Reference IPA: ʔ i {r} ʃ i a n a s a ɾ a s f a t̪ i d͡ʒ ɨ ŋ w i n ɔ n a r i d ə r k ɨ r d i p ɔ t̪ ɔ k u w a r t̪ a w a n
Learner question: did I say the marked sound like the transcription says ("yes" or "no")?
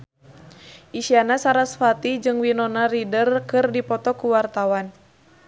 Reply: no